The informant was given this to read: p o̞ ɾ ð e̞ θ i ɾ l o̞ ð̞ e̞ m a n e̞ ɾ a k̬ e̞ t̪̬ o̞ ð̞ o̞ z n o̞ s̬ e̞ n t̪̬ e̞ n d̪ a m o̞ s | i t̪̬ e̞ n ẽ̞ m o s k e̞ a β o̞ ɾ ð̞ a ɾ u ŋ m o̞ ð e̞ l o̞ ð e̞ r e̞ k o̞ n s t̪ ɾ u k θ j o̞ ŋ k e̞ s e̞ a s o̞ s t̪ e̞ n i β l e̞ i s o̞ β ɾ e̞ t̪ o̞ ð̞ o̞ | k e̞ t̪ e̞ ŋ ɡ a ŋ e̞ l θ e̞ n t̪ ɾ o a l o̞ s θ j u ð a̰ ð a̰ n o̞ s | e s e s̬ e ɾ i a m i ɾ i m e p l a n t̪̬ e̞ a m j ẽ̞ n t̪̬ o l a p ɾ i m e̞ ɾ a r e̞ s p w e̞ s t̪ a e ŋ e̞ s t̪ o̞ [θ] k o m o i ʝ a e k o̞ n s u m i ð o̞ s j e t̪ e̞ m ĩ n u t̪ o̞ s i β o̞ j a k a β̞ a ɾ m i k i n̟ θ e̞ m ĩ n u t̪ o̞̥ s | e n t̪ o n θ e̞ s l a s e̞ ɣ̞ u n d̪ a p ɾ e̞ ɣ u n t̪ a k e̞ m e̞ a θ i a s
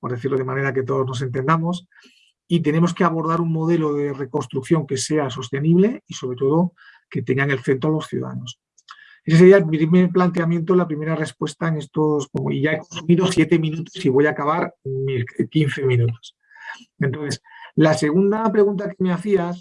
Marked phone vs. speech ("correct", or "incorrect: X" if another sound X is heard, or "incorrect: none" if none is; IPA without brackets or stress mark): incorrect: s